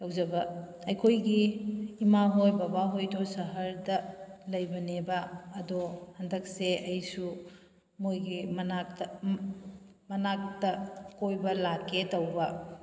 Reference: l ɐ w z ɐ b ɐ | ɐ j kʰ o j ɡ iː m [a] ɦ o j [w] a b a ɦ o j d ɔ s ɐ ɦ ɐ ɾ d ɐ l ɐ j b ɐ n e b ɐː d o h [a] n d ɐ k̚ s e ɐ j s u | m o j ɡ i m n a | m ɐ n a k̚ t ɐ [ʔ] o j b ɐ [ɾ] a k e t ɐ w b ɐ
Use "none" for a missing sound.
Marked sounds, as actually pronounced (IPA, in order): a, b, ɐ, k, l

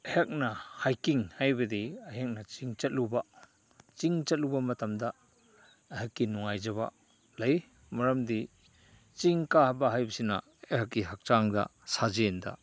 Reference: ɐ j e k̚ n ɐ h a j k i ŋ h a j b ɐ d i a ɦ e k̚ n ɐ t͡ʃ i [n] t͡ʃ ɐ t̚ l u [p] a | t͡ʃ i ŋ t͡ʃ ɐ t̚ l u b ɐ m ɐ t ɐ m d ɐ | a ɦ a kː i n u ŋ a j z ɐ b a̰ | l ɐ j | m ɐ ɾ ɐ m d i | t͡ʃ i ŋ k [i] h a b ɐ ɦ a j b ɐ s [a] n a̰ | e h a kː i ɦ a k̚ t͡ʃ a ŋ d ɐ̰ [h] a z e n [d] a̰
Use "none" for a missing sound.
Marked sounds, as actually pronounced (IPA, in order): ŋ, b, a, i, s, d

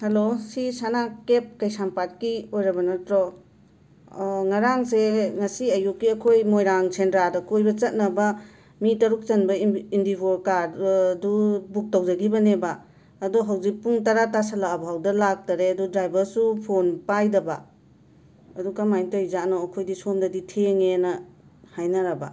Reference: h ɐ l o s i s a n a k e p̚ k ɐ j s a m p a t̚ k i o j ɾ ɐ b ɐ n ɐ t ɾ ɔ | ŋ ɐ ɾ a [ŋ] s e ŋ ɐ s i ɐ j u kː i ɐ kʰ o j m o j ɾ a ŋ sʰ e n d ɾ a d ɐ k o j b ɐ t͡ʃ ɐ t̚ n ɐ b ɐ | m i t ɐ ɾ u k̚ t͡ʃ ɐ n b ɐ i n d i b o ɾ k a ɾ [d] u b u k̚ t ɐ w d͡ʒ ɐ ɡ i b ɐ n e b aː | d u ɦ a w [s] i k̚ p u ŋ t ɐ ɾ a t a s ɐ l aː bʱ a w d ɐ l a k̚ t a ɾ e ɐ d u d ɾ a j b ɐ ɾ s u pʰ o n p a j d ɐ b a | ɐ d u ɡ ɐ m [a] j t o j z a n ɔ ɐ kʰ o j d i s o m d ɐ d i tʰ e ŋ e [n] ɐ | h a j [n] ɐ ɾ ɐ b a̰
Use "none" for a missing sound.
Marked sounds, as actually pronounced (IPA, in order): ŋ, d, z, a, n, n

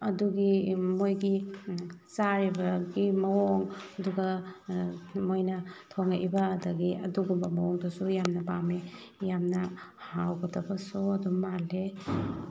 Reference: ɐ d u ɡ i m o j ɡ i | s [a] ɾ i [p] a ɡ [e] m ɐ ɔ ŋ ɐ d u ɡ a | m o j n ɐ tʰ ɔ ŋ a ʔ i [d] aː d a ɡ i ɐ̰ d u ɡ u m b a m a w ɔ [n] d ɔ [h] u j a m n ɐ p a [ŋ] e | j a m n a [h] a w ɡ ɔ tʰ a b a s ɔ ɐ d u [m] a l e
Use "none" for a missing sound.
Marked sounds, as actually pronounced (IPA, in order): a, b, i, b, ŋ, s, m, h, m

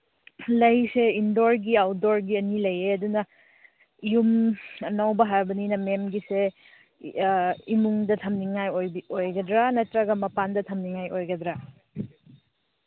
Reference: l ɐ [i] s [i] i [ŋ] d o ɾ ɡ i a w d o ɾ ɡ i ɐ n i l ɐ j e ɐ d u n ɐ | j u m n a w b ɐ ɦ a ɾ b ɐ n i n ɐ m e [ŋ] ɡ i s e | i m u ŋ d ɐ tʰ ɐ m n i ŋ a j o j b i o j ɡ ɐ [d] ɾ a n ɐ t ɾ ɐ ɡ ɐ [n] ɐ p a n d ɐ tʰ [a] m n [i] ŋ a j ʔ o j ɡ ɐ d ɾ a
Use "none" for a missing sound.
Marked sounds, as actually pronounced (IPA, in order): j, e, n, m, d, m, ɐ, i

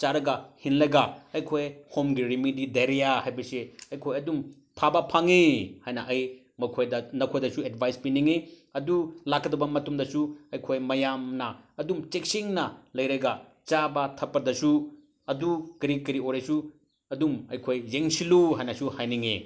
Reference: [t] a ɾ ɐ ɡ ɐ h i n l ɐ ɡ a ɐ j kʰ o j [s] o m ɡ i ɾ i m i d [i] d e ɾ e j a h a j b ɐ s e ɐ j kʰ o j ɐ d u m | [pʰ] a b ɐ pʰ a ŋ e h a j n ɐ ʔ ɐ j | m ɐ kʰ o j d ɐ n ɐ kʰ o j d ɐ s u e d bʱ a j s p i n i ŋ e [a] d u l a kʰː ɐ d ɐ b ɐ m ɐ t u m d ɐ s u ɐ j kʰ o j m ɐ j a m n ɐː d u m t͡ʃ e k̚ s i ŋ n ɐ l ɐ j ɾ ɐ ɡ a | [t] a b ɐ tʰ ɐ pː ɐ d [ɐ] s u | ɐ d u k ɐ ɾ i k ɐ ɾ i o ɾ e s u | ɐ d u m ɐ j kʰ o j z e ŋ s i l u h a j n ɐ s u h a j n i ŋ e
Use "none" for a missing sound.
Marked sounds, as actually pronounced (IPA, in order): t͡ʃ, h, i, pʰ, ɐ, t͡ʃ, ɐ

